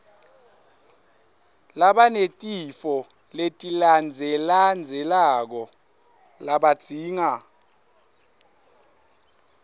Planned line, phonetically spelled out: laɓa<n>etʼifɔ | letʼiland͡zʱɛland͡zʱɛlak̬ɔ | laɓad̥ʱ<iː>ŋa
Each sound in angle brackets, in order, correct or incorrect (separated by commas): correct, correct